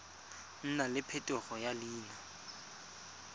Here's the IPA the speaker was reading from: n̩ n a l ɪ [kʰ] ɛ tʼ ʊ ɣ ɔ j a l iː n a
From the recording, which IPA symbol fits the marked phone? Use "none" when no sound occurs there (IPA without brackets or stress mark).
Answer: pʰ